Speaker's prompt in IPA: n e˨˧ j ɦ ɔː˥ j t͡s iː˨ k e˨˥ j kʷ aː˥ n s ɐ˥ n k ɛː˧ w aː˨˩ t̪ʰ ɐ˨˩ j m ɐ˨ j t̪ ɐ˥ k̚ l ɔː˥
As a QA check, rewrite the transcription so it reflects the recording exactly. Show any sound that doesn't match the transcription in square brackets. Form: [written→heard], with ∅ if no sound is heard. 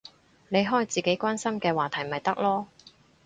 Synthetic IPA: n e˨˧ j ɦ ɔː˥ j t͡s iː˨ k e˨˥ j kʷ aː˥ n s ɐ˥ [n→m] k ɛː˧ w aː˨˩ t̪ʰ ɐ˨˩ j m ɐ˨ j t̪ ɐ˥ k̚ l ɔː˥